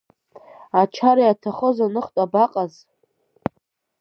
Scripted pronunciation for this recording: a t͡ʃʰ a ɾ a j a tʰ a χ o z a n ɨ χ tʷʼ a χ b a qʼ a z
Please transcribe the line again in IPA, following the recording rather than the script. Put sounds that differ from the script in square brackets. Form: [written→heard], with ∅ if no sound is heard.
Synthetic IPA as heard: a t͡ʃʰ a ɾ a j a tʰ a χ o z a n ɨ χ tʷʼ a [χ→∅] b a qʼ a z